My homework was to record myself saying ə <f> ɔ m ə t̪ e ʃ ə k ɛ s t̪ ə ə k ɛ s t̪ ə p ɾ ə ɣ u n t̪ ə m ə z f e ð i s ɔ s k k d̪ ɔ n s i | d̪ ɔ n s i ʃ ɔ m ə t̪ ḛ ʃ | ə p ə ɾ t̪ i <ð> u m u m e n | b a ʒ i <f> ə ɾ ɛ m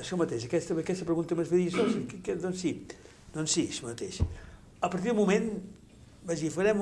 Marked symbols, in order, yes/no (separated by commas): no, yes, yes